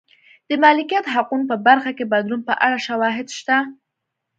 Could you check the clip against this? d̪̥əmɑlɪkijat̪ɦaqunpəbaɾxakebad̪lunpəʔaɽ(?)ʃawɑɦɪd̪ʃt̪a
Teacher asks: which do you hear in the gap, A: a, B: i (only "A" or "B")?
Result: A